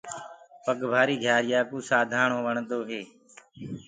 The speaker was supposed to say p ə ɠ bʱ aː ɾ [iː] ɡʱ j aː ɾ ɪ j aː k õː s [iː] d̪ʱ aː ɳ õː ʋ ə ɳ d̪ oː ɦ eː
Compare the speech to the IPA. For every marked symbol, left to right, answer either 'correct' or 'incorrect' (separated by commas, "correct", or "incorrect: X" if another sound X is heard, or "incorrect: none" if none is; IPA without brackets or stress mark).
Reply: correct, incorrect: aː